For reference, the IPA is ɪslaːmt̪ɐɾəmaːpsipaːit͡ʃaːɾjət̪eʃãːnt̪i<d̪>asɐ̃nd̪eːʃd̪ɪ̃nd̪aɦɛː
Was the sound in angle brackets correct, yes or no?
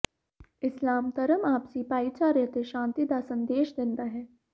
yes